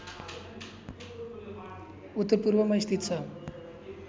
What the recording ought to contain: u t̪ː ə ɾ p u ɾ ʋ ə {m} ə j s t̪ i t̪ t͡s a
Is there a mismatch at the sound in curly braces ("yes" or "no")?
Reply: no